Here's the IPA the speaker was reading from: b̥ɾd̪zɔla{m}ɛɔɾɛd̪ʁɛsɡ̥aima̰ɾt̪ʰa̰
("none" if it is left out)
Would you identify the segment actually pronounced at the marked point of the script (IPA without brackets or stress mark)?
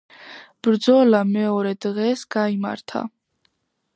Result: m